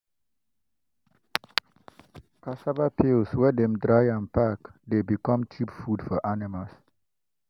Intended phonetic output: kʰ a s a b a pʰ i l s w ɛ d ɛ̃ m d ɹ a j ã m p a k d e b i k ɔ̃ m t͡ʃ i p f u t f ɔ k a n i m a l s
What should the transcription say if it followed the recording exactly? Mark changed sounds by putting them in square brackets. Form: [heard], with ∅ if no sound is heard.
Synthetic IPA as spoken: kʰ a s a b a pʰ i l s w ɛ d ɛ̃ m d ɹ a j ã [n] p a k d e b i k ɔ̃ m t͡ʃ i p f u [d] f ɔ [ʔ] a n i m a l s